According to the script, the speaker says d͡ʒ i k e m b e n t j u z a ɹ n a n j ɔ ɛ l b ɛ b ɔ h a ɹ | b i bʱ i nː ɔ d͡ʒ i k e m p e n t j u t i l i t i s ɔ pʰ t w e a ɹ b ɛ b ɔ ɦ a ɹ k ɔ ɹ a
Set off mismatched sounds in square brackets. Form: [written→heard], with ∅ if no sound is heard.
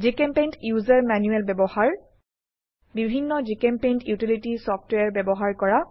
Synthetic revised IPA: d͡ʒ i k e m [b→p] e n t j u z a ɹ [n→m] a n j [ɔ→u] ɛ l b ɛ b ɔ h a ɹ | b i bʱ i nː ɔ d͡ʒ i k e m p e n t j u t i l i t i s ɔ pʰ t w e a ɹ b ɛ b ɔ ɦ a ɹ k ɔ ɹ a